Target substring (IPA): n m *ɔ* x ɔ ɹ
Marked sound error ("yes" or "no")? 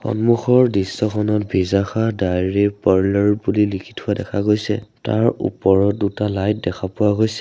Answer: yes